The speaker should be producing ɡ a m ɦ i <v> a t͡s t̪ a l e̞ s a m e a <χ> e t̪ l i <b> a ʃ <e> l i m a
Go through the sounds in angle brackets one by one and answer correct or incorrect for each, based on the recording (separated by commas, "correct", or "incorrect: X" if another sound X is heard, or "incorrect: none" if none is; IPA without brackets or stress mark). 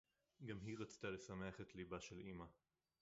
incorrect: ʁ, correct, correct, correct